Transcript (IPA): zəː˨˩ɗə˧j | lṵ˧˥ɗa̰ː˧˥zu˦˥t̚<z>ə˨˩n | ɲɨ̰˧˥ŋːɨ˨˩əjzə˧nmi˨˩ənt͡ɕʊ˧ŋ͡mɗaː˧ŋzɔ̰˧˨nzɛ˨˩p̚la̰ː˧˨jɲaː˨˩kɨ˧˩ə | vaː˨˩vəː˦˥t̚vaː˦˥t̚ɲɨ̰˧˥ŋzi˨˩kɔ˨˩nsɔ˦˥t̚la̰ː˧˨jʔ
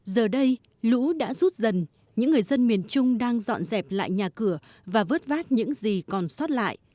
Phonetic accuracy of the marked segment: correct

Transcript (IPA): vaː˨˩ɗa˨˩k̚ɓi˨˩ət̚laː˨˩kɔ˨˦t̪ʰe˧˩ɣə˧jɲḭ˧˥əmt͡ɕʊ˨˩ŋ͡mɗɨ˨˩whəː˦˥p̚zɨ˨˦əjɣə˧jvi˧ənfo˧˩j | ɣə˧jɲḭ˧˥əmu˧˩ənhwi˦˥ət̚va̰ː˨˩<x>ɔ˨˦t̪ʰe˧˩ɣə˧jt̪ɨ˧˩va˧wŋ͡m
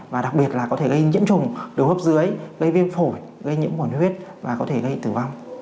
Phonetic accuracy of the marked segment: incorrect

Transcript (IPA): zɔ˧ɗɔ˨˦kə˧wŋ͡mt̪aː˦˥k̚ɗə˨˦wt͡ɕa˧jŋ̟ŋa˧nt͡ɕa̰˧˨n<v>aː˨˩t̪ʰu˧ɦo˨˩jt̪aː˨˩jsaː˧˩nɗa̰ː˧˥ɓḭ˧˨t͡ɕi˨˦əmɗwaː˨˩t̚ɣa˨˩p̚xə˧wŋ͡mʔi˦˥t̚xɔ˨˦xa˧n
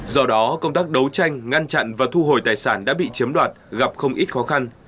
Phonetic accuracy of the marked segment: correct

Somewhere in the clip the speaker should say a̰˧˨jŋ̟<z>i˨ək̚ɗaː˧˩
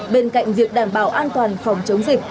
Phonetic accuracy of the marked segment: correct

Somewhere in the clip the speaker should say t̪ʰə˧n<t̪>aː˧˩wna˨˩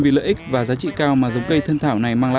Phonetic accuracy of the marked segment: incorrect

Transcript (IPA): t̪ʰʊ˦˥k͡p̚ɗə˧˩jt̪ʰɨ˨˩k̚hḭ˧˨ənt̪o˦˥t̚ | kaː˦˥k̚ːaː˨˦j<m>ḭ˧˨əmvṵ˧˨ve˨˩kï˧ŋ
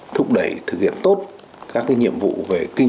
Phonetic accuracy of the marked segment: incorrect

